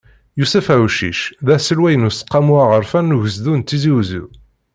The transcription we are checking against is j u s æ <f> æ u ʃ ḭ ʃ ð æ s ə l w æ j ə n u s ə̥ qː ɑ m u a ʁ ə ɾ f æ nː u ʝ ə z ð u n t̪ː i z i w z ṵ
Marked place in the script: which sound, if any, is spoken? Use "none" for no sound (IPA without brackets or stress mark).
f